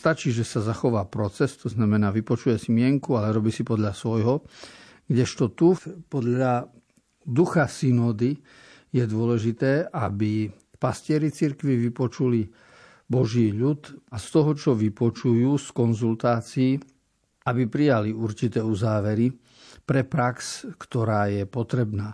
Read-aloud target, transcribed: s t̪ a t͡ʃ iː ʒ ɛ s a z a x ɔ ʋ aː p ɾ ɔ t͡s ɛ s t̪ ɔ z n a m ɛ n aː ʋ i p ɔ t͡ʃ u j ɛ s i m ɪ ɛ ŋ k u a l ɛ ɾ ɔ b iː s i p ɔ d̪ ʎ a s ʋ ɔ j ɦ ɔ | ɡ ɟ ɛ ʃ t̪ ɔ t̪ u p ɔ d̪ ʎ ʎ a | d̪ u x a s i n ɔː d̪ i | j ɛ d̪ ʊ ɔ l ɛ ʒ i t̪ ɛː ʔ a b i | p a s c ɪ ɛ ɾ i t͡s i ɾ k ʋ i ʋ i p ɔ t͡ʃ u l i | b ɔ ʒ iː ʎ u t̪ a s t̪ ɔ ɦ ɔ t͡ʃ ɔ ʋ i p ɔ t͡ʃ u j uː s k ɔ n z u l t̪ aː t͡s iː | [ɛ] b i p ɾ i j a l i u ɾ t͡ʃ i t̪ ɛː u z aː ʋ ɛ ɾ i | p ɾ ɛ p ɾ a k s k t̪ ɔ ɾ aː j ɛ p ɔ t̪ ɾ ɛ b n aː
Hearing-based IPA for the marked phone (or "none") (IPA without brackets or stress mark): a